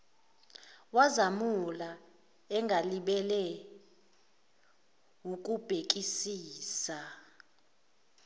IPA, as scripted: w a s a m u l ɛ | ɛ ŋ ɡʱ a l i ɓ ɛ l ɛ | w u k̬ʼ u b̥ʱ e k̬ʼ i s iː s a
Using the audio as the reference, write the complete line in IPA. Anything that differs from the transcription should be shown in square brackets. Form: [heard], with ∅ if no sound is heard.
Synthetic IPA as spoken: w a [z] a m u l [a] | ɛ ŋ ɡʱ a l i ɓ ɛ l ɛ | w u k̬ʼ u b̥ʱ e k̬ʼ i s iː s a